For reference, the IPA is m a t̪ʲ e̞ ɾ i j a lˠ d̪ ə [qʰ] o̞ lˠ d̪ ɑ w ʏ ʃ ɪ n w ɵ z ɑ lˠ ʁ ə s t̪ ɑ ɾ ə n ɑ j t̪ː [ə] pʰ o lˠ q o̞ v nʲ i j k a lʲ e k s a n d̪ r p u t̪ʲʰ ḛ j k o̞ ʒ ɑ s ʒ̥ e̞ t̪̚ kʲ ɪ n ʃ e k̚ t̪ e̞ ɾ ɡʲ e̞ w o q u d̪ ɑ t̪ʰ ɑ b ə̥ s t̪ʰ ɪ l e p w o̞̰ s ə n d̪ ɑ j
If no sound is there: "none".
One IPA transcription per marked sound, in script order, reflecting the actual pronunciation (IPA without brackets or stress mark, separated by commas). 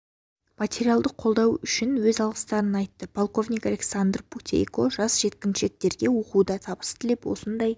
qʰ, ə